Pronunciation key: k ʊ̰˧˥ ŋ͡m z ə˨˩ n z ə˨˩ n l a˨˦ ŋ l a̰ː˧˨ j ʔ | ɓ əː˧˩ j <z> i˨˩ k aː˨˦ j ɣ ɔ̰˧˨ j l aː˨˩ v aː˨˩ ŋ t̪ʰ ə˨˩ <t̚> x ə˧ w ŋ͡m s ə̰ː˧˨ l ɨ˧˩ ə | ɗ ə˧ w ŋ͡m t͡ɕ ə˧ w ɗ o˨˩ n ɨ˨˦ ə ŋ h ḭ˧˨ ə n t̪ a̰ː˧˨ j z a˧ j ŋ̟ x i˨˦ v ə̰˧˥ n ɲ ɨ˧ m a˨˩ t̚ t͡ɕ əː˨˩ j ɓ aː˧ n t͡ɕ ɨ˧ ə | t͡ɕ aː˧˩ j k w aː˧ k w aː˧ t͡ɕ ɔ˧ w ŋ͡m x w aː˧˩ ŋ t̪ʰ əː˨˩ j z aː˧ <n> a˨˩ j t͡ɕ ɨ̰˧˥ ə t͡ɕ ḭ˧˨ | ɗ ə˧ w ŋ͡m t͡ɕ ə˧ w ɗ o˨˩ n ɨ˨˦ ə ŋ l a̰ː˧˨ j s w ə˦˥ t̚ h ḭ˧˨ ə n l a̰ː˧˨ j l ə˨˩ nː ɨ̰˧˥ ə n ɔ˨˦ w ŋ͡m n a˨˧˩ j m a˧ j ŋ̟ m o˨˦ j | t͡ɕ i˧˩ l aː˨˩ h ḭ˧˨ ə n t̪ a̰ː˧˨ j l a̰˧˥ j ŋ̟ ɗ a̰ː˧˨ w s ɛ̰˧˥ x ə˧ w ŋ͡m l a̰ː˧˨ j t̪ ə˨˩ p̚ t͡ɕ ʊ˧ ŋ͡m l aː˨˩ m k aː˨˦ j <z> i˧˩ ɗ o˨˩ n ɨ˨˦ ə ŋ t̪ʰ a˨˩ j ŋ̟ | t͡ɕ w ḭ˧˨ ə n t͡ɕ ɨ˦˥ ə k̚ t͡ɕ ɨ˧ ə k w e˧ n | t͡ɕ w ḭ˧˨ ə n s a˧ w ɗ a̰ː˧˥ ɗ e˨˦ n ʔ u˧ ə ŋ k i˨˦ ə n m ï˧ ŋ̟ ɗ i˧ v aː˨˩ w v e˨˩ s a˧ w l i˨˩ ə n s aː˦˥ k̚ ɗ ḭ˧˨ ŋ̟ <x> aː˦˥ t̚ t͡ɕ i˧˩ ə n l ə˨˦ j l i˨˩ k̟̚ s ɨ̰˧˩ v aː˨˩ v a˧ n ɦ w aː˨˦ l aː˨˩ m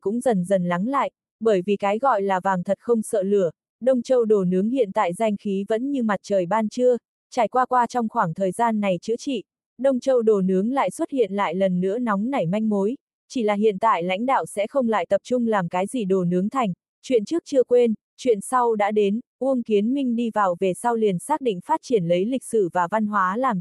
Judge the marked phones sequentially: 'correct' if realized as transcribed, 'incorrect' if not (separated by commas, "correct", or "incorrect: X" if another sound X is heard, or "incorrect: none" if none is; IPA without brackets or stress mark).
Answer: incorrect: v, correct, incorrect: nː, correct, incorrect: f